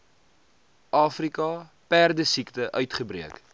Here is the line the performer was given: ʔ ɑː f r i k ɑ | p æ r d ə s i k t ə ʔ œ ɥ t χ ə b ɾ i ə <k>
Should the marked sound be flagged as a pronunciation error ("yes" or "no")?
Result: no